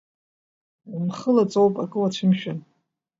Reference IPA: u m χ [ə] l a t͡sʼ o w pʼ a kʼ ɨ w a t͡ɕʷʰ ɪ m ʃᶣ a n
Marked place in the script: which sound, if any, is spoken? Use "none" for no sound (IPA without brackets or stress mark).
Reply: ə